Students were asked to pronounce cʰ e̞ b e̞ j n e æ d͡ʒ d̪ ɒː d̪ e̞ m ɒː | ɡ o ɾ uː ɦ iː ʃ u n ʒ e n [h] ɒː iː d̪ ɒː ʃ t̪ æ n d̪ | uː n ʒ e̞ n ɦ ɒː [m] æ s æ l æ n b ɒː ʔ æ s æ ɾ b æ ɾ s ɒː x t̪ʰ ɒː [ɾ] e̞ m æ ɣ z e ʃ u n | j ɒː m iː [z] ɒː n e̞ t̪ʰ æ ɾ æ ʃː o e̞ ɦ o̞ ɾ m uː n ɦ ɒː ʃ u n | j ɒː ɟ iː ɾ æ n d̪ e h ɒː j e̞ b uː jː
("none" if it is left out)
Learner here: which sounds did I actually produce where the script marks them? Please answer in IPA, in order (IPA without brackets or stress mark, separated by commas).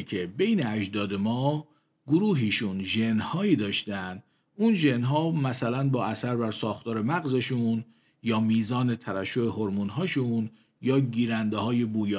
h, m, ɾ, z